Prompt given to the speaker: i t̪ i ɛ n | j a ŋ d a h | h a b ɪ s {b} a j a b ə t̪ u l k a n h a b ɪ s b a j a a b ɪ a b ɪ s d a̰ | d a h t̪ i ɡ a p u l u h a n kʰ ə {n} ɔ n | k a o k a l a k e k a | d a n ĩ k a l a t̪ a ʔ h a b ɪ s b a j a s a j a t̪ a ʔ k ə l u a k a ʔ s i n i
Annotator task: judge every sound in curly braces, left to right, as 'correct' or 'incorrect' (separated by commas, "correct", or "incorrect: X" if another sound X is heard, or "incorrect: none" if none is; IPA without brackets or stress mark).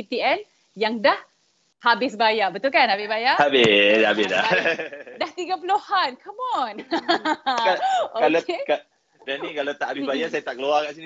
correct, incorrect: m